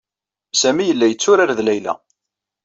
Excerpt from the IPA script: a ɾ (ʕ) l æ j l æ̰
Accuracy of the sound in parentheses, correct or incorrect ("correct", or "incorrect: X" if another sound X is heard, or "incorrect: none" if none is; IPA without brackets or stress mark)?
incorrect: ð